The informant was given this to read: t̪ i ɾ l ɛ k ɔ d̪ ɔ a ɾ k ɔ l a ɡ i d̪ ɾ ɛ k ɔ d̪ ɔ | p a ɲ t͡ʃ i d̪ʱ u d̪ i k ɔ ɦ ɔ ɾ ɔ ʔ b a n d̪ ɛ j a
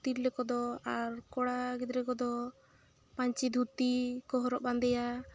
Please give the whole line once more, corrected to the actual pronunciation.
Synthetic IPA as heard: t̪ i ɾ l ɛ k ɔ d̪ ɔ a ɾ k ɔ ɽ a ɡ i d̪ ɾ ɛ k ɔ d̪ ɔ | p a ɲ t͡ʃ i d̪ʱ u t̪ i k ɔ ɦ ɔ ɾ ɔ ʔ b a n d̪ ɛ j a

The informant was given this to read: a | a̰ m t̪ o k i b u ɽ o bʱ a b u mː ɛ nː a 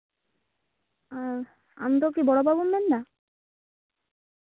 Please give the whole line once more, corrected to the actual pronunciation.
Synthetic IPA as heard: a | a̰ m t̪ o k i b ɔ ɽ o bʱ a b u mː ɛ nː a

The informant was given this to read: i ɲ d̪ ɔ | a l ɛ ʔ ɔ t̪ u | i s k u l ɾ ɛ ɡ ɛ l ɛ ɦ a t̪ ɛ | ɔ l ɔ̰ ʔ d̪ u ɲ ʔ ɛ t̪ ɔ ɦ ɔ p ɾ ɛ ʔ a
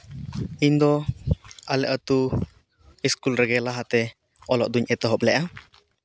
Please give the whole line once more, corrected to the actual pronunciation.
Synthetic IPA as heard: i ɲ d̪ ɔ | a l ɛ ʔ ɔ t̪ u | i s k u l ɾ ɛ ɡ ɛ l a ɦ a t̪ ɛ | ɔ l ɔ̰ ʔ d̪ u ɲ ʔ ɛ t̪ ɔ ɦ ɔ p l ɛ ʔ a

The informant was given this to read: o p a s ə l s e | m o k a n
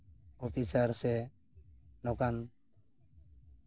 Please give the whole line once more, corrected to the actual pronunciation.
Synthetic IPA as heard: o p i s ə ɾ s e | n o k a n

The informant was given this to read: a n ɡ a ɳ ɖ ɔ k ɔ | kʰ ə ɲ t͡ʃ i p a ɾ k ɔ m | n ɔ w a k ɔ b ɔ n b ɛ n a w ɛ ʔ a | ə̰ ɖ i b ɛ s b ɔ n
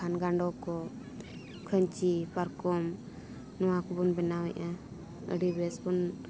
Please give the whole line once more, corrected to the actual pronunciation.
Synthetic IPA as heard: a n ɡ a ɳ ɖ ɔ k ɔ | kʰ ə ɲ t͡ʃ i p a ɾ k ɔ m | n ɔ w a k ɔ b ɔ n b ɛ n a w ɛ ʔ a | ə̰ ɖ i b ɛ s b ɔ n

